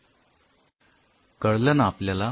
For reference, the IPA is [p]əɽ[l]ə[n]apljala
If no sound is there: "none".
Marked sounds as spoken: k, l, n

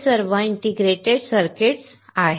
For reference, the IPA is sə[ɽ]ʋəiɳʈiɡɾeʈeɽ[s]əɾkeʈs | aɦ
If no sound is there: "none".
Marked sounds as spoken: ɾ, s

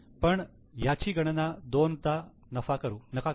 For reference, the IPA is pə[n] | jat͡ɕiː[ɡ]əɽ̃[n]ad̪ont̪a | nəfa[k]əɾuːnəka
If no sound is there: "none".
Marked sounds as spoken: ɳ, ɡ, n, k

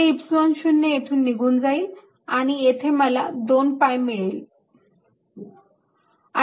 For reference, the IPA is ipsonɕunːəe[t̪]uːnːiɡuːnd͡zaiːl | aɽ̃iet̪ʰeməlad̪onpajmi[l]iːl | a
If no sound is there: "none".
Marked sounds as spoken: t̪ʰ, ɭ

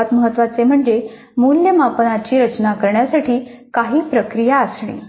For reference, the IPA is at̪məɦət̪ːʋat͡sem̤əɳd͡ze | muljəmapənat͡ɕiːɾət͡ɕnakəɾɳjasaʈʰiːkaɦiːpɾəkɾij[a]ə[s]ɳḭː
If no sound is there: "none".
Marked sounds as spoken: a, s

